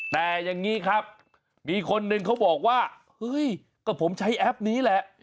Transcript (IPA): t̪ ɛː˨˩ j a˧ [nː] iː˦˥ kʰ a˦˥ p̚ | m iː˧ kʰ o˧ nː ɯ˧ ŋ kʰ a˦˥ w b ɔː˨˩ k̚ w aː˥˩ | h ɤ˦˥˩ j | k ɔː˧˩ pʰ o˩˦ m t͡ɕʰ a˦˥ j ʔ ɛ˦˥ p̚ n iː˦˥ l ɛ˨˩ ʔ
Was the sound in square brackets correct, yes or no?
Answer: no